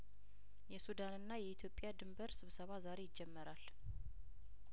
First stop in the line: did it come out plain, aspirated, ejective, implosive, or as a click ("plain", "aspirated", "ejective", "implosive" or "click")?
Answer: plain